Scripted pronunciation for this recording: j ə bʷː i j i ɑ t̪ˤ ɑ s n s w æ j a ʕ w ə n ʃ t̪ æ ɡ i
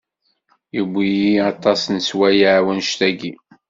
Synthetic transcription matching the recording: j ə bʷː i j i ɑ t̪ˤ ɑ s n s w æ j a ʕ w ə n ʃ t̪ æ ɡ i

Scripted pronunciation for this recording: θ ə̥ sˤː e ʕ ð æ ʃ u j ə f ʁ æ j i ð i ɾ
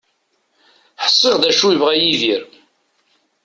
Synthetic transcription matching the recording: ħ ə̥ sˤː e ʁ ð æ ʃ u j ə v ʁ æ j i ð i ɾ

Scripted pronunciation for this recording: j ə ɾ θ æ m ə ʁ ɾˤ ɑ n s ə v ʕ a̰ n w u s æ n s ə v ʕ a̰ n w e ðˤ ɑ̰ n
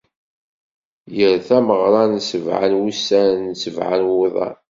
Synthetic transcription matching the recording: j ə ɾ θ æ m ə ʁ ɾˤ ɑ n s ə v ʕ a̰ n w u s æ n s ə v ʕ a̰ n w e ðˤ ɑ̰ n

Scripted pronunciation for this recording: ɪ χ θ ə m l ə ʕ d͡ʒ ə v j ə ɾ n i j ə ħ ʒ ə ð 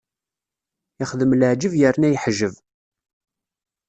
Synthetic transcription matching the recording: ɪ χ ð ə m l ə ʕ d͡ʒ ə v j ə ɾ n æ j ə ħ ʒ ə v

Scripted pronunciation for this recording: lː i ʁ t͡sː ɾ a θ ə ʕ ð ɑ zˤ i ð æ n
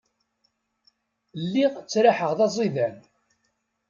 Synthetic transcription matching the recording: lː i ʁ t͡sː ɾ a ħ ə ʁ ð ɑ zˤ i ð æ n

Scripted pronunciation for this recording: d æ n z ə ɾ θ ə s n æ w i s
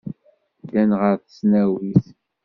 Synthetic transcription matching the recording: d æ n ʁ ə ɾ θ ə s n æ w i θ

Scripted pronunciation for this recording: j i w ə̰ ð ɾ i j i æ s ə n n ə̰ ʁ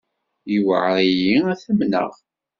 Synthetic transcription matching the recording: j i w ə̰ ʕ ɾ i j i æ θ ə m n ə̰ ʁ

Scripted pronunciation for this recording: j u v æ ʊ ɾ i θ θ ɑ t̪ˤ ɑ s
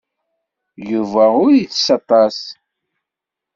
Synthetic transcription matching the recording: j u v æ ʊ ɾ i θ s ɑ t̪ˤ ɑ s

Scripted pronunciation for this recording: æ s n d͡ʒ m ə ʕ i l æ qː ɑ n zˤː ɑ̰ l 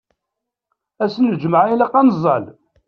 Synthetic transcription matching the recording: æ s n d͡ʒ m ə ʕ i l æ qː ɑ n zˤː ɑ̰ l

